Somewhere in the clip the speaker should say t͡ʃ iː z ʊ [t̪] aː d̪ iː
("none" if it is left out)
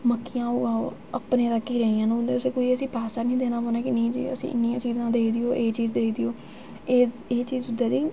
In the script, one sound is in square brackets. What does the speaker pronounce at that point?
d̪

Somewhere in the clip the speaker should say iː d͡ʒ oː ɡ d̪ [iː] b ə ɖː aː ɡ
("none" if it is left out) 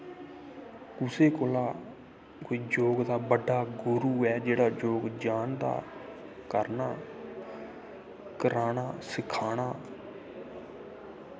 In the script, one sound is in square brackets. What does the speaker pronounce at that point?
aː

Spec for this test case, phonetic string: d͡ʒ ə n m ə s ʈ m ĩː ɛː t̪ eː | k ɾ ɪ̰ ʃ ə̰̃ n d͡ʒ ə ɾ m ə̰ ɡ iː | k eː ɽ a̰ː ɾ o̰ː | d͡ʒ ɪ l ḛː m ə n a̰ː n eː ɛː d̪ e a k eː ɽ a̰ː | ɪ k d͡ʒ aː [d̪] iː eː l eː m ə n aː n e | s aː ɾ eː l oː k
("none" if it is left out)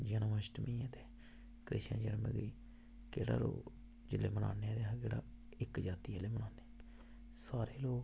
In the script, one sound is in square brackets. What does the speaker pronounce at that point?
t̪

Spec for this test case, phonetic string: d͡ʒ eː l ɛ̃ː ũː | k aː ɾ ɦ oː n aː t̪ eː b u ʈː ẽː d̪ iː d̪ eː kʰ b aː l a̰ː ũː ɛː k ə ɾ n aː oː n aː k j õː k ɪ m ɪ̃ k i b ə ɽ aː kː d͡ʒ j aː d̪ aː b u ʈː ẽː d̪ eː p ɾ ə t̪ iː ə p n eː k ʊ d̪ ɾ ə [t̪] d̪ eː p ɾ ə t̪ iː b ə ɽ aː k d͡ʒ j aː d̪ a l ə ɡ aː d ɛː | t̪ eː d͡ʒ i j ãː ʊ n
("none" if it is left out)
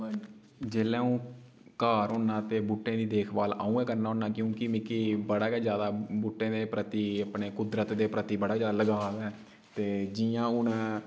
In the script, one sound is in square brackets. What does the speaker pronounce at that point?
t̪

